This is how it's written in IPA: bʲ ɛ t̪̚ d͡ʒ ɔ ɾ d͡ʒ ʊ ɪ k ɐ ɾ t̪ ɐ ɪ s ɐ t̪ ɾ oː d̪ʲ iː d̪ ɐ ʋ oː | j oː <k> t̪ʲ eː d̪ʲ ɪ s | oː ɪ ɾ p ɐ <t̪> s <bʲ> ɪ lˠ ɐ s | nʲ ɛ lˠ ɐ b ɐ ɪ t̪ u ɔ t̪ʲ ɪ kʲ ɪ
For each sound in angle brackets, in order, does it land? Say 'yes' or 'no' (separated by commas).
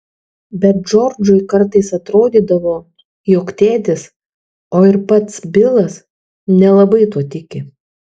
yes, yes, yes